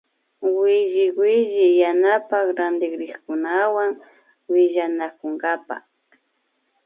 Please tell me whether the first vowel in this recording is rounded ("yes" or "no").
no